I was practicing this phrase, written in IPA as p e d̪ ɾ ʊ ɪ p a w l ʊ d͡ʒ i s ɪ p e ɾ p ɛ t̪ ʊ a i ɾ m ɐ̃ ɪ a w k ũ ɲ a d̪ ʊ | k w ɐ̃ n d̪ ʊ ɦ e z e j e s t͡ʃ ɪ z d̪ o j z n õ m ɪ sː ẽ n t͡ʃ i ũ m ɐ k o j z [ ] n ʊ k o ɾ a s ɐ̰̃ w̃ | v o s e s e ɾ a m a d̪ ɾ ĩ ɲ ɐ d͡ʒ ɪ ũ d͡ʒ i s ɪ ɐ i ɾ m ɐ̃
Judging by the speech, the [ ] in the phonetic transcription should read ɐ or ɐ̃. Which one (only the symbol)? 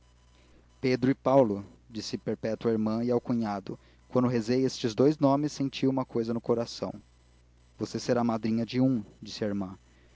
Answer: ɐ